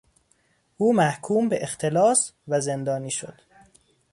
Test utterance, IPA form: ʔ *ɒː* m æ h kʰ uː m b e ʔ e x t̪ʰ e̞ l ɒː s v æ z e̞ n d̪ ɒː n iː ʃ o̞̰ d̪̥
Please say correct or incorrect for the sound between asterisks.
incorrect